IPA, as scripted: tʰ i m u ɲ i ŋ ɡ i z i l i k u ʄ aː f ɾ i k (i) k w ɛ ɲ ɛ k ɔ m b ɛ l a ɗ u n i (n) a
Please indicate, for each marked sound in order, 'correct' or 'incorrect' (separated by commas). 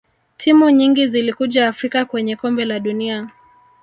incorrect, incorrect